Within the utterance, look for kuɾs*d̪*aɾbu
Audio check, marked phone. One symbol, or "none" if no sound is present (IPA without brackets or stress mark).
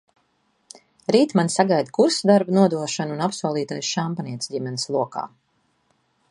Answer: d̪